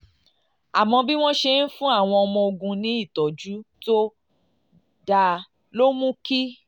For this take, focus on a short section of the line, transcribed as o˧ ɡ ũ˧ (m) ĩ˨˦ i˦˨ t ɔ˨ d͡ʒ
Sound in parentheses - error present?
yes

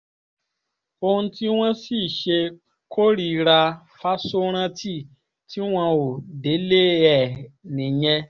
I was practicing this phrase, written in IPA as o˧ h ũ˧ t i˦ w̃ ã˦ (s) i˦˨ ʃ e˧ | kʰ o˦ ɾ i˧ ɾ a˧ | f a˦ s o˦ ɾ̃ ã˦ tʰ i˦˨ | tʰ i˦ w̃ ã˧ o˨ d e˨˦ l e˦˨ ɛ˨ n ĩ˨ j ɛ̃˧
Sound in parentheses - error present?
no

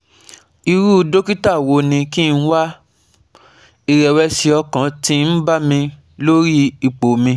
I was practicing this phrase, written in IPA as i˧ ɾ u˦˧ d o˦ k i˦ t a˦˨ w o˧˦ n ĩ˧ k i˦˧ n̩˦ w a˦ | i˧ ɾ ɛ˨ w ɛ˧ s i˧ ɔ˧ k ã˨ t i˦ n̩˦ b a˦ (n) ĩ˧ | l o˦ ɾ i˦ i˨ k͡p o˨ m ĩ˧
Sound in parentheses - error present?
yes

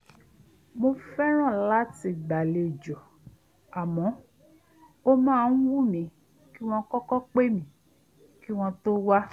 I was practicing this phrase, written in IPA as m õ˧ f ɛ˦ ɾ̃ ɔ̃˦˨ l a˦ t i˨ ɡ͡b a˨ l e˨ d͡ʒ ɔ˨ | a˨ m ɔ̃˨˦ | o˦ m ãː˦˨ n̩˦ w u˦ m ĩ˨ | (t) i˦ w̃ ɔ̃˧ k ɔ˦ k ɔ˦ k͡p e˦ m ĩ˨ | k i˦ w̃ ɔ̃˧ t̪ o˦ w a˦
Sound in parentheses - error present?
yes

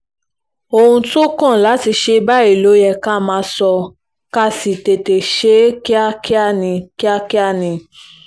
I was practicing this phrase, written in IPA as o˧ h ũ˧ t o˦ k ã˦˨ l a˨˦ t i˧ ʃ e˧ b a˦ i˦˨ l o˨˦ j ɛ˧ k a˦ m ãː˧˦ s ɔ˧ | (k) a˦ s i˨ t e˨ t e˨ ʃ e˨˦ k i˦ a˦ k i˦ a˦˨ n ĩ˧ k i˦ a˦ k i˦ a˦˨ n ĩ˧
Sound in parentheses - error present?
no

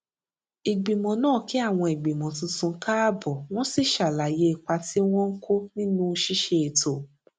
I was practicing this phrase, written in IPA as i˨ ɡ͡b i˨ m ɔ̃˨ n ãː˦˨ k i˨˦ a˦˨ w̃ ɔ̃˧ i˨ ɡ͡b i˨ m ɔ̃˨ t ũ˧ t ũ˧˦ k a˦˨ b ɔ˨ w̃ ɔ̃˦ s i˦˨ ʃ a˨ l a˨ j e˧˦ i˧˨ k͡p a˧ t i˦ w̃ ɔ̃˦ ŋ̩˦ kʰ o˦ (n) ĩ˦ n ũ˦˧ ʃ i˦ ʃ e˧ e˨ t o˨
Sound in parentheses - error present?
no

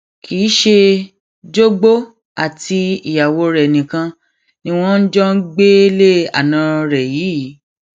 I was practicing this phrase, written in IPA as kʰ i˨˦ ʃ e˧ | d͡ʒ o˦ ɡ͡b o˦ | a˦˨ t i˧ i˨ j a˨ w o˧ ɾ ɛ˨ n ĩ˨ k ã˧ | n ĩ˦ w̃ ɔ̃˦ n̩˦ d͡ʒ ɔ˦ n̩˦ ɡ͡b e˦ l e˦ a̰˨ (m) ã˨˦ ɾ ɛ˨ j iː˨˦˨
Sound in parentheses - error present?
yes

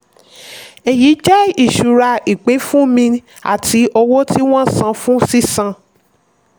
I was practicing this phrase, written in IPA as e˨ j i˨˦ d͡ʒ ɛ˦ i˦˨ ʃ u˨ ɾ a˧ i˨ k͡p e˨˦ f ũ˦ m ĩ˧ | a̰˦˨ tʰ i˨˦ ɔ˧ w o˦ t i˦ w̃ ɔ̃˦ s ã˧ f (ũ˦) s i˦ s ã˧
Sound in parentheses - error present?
no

